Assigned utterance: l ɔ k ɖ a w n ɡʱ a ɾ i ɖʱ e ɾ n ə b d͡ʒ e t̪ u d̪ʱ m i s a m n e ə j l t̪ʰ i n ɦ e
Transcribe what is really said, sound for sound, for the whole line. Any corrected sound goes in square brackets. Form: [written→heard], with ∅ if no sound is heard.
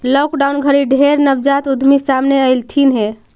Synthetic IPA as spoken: l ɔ k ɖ a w n ɡʱ [a→ə] ɾ i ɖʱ e ɾ n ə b d͡ʒ [e→a] t̪ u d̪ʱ m i s a m n e ə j l t̪ʰ i n ɦ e